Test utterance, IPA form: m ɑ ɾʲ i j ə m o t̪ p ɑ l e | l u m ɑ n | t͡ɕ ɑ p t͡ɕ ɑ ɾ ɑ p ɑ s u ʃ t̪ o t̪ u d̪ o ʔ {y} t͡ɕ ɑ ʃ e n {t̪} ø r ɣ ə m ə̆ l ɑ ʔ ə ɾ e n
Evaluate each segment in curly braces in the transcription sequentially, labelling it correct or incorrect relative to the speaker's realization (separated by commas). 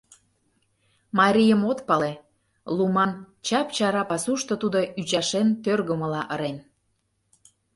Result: correct, correct